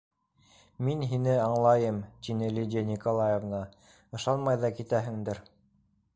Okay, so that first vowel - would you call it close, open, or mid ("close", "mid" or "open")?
close